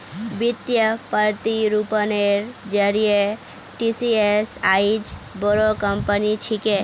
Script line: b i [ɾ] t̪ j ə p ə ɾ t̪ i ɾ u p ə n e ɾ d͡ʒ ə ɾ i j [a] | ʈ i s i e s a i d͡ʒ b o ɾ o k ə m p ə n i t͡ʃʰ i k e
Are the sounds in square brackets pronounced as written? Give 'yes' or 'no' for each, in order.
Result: no, no

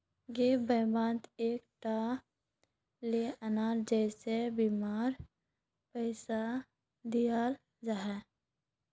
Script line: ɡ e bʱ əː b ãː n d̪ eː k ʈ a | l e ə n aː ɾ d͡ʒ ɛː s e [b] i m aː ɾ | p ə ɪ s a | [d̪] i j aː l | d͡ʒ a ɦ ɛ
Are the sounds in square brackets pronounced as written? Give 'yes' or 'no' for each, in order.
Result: yes, yes

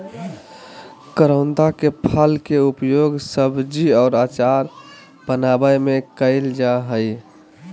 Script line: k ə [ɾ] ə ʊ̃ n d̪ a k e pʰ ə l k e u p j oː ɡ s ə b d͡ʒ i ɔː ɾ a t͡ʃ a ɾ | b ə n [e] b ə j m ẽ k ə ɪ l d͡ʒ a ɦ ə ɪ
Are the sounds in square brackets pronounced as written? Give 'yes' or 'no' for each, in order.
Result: yes, no

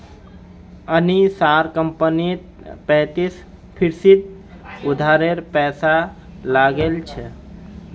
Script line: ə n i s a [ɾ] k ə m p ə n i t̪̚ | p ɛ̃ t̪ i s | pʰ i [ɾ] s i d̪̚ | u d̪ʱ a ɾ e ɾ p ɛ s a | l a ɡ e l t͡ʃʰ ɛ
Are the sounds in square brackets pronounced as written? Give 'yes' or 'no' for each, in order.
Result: yes, yes

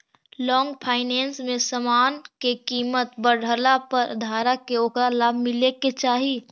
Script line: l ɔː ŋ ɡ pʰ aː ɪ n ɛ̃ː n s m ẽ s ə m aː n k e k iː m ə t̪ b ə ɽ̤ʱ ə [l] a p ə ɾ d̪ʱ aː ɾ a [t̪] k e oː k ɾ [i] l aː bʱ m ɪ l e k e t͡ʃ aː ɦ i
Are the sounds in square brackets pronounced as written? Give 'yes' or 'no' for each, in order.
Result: yes, no, no

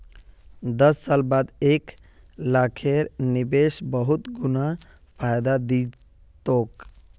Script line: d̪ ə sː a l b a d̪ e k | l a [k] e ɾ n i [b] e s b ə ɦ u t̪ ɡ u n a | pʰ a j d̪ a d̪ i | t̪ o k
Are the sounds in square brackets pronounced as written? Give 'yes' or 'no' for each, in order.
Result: no, yes

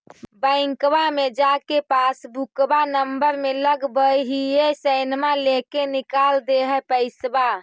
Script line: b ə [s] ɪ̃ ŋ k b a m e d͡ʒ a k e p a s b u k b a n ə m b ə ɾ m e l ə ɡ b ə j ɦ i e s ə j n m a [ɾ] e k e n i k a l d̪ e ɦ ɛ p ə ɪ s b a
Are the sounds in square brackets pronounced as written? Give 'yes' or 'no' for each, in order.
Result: no, no

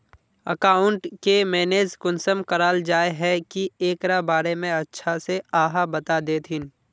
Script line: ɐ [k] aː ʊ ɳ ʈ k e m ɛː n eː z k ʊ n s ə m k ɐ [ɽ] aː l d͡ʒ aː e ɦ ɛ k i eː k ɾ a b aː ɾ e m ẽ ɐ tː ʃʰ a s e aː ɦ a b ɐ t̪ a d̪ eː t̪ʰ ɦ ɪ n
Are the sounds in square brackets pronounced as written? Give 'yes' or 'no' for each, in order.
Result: yes, no

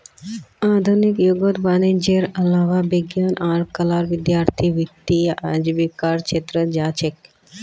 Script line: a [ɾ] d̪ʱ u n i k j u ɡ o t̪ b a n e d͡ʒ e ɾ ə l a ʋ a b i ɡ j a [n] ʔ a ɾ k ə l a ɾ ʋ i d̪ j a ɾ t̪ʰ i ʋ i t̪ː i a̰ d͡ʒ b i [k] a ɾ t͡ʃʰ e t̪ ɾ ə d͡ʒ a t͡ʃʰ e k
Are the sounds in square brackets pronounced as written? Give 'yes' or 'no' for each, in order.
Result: no, yes, yes

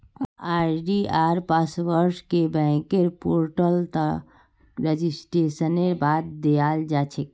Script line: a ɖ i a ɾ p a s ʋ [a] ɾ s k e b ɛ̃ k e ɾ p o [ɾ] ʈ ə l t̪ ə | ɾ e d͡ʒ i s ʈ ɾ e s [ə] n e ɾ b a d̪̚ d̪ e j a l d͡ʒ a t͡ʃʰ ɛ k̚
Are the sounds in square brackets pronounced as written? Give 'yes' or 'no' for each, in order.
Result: no, yes, yes

